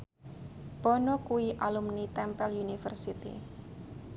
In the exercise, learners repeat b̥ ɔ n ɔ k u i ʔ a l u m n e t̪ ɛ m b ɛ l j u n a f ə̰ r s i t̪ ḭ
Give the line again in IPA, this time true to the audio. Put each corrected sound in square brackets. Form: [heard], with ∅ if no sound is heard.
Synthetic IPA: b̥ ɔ n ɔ k u i ʔ a l u m n [i] t̪ ɛ m [p] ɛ l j u n [i] f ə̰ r s i t̪ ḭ